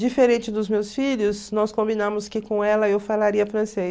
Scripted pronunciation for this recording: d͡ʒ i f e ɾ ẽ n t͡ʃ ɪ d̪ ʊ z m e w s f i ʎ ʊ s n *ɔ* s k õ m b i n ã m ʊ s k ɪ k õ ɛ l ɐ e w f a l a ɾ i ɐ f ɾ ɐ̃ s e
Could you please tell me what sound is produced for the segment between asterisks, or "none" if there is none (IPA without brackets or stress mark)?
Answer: ɔ